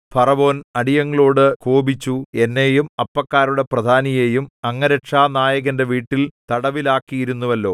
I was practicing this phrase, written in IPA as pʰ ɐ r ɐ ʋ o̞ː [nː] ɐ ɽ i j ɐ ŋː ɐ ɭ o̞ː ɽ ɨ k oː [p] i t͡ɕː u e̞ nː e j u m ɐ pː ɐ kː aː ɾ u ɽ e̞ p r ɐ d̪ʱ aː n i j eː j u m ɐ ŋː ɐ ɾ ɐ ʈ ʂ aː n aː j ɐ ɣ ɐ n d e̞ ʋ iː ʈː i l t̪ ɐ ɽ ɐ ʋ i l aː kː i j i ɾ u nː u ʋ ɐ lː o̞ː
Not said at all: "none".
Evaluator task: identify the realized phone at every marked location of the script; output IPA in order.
n, b

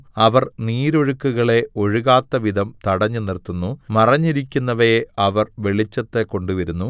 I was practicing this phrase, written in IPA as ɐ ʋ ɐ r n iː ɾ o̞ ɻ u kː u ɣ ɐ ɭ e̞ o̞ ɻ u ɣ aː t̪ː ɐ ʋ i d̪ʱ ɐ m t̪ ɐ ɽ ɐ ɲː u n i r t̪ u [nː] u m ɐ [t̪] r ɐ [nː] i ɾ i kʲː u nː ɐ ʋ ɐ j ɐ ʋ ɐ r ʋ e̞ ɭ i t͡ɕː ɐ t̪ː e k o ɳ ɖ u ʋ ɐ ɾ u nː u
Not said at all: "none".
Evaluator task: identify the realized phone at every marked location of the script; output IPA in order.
nː, none, ɲː

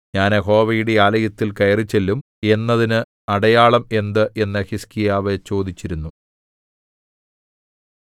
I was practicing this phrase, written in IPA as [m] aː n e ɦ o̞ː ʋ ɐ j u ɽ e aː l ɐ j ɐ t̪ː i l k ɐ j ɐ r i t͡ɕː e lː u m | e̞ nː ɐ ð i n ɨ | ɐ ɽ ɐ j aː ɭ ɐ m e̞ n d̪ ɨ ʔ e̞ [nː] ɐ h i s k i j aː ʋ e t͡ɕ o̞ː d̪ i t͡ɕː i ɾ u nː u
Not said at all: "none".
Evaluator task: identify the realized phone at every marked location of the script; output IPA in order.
ɲ, nː

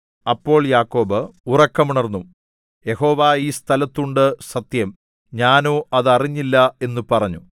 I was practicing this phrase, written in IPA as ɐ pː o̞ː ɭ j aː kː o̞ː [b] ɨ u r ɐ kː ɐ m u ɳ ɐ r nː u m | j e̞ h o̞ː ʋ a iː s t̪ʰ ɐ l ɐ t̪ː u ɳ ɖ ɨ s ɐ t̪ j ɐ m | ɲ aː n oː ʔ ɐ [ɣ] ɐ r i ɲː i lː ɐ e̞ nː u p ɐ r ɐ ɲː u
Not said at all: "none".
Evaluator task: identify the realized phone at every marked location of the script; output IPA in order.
b, ð

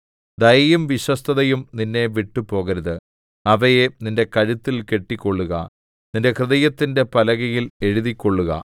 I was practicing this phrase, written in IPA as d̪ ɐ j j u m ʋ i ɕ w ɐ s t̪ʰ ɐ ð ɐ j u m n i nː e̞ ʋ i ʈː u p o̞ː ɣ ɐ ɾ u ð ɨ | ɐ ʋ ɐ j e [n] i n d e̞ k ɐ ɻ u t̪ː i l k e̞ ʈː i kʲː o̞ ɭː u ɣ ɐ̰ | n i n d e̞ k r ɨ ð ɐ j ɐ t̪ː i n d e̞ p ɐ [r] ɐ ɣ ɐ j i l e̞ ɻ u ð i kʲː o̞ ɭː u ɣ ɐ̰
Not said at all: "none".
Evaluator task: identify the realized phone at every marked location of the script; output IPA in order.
n, l

